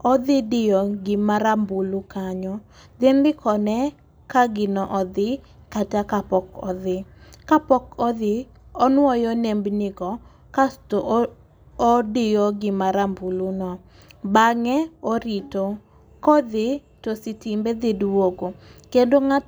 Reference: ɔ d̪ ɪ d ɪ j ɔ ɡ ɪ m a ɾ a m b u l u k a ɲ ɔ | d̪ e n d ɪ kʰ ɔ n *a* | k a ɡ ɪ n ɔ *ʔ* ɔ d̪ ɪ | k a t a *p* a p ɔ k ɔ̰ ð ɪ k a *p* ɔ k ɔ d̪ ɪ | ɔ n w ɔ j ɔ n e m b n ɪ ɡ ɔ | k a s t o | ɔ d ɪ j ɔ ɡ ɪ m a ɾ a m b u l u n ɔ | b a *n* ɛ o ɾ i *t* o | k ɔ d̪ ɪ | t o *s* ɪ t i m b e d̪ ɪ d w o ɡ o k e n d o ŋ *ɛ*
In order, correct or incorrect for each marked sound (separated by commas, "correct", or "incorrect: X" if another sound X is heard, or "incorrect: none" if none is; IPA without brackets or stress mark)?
incorrect: ɛ, correct, incorrect: k, correct, incorrect: ŋ, correct, correct, incorrect: a